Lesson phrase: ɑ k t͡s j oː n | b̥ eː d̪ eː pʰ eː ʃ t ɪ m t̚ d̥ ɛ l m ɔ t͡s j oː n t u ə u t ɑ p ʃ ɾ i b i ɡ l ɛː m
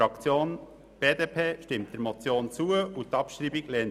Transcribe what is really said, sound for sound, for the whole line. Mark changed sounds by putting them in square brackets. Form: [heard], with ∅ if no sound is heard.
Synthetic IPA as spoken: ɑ k t͡s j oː n | b̥ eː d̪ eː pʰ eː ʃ t ɪ m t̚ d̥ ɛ [ɾ] m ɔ t͡s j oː n [t͡s] u ə u t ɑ p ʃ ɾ i b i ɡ l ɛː [n]